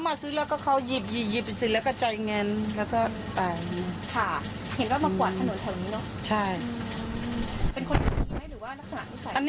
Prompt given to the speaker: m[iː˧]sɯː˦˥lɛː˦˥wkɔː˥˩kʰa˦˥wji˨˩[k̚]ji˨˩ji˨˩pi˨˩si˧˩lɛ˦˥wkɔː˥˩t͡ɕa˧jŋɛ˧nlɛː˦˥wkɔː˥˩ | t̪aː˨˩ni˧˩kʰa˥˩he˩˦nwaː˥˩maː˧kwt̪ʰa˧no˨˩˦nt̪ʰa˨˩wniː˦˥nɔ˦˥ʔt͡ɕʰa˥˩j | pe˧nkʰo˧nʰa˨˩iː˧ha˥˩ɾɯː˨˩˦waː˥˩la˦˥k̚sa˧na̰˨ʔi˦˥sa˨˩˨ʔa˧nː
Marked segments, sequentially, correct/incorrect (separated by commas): incorrect, incorrect